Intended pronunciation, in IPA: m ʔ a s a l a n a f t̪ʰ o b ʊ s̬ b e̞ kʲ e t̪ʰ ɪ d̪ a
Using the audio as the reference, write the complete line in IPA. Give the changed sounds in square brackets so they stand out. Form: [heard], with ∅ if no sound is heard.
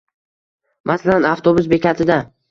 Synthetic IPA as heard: m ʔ a s a l a n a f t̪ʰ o b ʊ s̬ b e̞ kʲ [a] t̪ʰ ɪ d̪ a